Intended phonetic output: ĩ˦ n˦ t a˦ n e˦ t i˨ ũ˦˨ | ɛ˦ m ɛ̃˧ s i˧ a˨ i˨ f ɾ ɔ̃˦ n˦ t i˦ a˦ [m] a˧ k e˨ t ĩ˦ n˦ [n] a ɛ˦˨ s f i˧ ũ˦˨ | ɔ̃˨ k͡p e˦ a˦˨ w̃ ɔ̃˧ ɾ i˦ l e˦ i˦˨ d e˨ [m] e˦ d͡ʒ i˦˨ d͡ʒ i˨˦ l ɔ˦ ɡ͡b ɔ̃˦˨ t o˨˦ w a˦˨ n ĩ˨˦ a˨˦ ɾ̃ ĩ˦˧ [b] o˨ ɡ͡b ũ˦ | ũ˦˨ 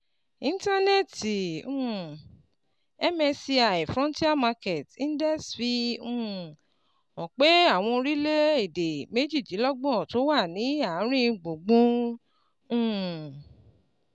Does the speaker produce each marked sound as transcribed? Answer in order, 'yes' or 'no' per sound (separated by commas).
yes, no, yes, no